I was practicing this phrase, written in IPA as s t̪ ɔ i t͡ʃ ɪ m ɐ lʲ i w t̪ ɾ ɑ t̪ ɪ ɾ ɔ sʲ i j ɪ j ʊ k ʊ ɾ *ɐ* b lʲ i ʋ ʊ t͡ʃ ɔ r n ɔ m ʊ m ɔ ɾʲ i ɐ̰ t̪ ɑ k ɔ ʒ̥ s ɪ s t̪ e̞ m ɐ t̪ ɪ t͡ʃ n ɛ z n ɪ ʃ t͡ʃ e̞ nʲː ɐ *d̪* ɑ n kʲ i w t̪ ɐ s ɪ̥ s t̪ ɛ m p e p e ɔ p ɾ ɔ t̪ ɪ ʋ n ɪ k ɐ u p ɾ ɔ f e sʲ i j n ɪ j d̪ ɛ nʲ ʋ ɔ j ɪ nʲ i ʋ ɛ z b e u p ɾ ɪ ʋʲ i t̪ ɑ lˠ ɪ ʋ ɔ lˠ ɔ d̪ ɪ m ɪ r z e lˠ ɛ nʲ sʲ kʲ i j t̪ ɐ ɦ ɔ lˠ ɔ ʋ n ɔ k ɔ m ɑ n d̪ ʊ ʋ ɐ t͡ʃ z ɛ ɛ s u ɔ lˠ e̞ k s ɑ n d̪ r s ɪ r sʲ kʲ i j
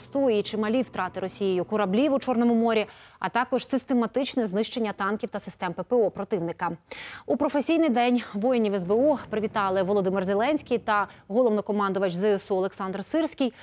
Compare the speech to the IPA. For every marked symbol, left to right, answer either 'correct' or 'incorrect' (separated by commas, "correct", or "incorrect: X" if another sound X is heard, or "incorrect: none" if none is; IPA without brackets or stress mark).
correct, incorrect: t̪